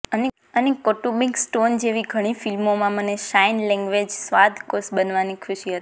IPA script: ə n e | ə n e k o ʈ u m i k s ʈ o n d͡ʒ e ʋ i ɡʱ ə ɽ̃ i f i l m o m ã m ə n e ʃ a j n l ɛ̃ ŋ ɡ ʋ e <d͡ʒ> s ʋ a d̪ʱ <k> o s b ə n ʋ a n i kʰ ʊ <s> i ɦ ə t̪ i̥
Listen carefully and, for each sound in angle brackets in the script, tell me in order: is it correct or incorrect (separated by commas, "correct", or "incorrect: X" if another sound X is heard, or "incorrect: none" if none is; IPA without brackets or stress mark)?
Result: correct, correct, incorrect: ʃ